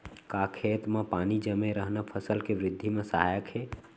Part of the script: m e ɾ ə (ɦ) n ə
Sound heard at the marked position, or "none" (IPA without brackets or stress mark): ɦ